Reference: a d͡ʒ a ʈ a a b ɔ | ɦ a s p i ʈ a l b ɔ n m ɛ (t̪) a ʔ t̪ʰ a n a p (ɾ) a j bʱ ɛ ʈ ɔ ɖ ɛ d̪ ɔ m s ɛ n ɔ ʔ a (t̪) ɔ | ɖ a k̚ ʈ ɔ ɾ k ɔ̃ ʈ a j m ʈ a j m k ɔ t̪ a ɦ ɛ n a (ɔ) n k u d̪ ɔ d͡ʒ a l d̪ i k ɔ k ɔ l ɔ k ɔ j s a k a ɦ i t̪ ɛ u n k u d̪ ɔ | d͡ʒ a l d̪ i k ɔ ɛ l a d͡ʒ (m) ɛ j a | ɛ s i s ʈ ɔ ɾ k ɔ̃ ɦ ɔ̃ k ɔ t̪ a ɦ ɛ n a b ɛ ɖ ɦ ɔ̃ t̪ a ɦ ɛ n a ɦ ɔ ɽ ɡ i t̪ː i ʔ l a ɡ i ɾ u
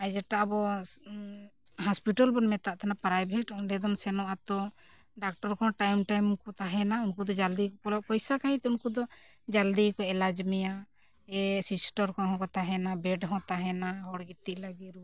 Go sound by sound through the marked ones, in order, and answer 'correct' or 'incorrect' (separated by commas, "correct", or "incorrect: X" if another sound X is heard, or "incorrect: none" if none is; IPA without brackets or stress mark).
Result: correct, correct, correct, incorrect: u, correct